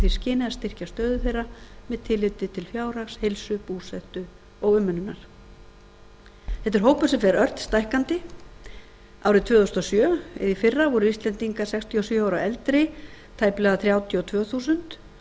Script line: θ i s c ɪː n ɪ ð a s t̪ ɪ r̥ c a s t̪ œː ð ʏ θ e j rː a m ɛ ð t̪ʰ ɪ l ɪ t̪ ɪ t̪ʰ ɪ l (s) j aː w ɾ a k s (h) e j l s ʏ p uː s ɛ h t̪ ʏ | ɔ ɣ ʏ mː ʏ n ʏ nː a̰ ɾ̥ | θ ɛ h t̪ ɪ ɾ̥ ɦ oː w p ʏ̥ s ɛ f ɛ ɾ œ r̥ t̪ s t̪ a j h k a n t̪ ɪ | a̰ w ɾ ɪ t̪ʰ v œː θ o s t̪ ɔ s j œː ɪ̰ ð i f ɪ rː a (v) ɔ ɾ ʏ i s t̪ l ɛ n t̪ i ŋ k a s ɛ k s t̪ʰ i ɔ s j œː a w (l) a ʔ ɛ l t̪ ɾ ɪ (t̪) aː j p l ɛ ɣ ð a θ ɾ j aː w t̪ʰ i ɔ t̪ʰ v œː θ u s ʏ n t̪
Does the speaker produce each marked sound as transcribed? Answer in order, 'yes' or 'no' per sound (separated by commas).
no, yes, yes, no, no